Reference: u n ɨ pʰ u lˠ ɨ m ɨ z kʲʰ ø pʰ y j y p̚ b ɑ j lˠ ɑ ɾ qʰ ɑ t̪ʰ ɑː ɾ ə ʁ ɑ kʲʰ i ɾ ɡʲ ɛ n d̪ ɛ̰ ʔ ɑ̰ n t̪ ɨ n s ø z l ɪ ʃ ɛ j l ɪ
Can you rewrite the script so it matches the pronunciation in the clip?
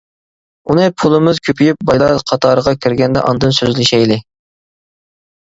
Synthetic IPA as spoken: u n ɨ pʰ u lˠ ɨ m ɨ z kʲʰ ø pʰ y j y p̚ b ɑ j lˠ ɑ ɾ qʰ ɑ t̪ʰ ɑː ɾ ə ʁ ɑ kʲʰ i ɾ ɡʲ ɛ n d̪ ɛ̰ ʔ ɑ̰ n d̪ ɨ n s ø z l ɪ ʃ ɛ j l ɪ